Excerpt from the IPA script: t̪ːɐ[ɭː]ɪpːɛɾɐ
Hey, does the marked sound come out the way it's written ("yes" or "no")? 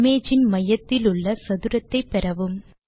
no